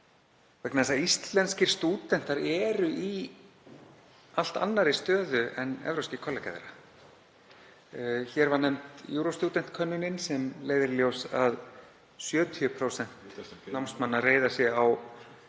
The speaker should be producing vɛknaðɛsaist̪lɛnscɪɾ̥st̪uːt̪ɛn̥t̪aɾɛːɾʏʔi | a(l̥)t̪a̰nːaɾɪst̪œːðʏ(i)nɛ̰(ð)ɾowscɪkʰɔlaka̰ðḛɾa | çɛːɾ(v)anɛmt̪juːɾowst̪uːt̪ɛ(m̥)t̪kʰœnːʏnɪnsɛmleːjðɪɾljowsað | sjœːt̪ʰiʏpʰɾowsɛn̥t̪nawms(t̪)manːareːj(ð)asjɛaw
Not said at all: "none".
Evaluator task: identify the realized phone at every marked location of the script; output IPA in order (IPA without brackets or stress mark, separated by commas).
l̥, ɛ, v, v, n̥, t̪, ð